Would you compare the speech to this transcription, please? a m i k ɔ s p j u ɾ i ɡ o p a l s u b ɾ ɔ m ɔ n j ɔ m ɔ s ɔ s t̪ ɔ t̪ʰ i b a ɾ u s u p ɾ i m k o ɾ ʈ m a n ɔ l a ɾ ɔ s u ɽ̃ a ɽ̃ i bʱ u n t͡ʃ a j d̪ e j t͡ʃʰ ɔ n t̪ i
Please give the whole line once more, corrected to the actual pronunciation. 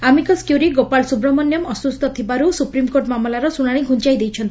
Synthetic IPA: a m i k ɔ s k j u ɾ i ɡ o p a l s u b ɾ ɔ m ɔ n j ɔ m ɔ s u s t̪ ɔ t̪ʰ i b a ɾ u s u p ɾ i m k o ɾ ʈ m a m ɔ l a ɾ ɔ s u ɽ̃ a ɽ̃ i ɡʱ u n t͡ʃ a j d̪ e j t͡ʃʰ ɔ n t̪ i